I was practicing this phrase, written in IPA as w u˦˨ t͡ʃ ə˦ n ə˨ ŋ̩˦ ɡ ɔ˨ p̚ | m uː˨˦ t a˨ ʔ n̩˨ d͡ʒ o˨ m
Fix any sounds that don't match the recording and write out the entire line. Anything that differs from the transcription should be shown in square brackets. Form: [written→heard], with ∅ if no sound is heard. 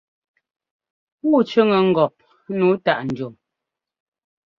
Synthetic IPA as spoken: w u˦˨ t͡ʃ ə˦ [n→ŋ] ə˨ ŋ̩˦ ɡ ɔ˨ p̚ | [m→n] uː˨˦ t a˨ ʔ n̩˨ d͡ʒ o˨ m